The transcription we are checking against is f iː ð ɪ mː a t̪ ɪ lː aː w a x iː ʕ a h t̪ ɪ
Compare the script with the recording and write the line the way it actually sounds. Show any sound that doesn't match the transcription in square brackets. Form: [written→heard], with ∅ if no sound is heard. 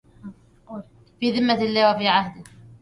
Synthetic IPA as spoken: f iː ð ɪ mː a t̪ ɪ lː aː w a [x→f] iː ʕ a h [t̪→d̪] ɪ